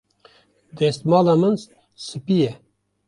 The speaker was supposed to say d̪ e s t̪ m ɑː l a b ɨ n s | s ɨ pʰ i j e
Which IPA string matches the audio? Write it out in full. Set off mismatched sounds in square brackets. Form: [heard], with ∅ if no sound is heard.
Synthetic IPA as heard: d̪ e s t̪ m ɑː l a [m] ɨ n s | s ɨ [p] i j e